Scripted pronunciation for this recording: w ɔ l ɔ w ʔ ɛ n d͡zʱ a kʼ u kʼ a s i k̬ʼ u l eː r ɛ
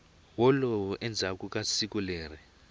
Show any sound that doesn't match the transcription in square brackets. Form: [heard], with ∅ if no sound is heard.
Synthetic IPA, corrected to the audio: w ɔ l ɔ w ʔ ɛ n d͡zʱ a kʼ u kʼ a s i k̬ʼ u l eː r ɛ